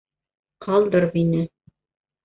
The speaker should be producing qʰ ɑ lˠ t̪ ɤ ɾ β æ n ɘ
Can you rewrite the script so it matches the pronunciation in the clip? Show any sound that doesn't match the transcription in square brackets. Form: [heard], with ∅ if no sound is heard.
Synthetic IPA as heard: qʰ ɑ lˠ [d̪] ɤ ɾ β [i] n ɘ